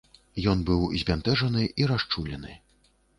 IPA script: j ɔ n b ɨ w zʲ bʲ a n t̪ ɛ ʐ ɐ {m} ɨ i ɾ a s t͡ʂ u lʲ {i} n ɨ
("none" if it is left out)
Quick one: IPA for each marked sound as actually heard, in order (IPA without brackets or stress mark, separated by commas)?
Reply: n, ɛ